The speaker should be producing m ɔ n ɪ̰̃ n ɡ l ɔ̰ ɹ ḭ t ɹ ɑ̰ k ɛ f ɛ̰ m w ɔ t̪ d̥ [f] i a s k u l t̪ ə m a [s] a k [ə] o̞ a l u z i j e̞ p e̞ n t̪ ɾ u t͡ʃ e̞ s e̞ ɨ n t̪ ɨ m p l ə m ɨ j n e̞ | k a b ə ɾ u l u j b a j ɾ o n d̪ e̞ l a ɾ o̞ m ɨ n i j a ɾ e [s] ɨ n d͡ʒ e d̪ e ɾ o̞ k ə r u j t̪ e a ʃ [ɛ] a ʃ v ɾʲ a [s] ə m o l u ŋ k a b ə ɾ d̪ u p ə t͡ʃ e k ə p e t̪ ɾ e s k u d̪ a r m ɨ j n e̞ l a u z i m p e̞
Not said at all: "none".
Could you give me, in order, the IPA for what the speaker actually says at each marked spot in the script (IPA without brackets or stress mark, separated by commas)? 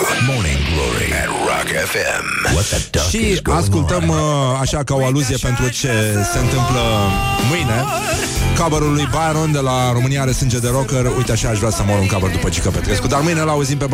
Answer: ʃ, ʃ, a, s, a, s